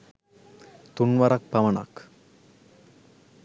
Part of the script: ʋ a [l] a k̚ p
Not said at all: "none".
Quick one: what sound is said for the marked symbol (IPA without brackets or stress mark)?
ɾ